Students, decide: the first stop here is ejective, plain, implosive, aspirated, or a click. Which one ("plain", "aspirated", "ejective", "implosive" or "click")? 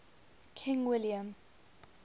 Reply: aspirated